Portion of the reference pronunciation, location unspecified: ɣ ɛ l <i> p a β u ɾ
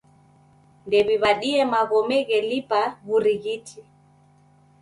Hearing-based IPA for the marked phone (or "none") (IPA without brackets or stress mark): i